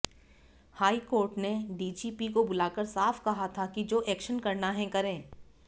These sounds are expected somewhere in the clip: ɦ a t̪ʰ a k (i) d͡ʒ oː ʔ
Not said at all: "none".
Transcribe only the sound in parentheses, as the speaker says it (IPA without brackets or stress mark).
i